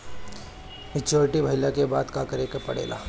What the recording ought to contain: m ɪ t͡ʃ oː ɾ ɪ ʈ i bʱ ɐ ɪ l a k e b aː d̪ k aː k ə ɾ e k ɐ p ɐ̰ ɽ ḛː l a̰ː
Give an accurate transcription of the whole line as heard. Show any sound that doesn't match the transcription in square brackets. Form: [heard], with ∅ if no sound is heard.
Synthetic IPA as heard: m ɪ t͡ʃ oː ɾ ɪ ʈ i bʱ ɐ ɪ l a k e b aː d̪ k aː k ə ɾ e k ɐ p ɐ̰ ɽ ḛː l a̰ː